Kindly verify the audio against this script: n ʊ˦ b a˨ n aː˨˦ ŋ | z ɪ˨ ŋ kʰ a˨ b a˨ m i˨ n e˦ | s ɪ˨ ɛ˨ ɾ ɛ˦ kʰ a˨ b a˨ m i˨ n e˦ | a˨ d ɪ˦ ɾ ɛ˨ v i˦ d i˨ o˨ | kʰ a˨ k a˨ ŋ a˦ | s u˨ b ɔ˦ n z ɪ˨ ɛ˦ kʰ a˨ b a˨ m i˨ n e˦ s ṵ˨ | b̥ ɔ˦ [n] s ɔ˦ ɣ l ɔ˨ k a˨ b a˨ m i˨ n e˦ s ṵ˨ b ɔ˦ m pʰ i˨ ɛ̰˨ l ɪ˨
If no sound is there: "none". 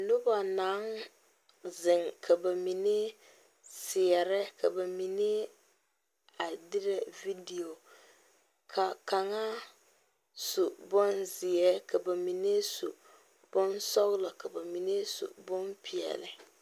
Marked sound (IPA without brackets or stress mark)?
n